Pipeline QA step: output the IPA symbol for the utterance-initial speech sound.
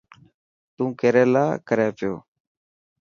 t̪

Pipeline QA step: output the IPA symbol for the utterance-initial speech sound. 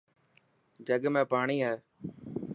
d͡ʒ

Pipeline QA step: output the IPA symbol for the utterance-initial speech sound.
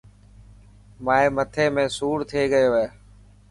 m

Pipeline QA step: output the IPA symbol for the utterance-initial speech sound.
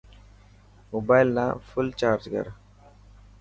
m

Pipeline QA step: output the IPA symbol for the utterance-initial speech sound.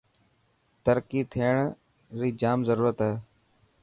t̪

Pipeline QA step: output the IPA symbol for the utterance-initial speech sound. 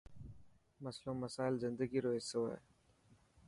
m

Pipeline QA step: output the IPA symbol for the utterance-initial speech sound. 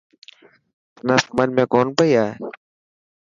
n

